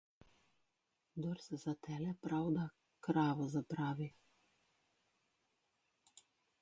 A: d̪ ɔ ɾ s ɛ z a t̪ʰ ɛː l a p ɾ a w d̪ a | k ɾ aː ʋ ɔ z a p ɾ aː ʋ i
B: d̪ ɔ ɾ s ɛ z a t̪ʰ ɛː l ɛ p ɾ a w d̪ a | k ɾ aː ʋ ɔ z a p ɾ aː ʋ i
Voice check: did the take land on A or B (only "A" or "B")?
B